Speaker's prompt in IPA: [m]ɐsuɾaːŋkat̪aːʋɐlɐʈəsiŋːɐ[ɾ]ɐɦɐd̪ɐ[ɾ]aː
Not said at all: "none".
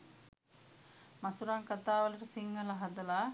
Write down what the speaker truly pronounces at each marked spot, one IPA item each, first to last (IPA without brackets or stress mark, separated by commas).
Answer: m, l, l